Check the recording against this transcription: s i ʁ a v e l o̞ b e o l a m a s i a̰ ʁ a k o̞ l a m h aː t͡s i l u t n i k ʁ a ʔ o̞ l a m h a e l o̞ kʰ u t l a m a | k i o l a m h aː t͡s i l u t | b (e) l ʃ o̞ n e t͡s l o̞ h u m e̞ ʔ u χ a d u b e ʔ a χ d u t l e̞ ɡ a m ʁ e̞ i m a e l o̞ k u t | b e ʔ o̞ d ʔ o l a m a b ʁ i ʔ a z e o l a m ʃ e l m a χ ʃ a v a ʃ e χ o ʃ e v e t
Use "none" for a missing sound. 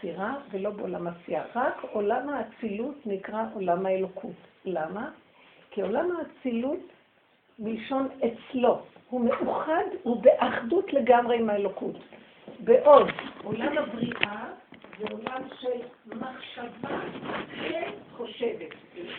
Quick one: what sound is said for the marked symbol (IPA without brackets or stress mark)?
i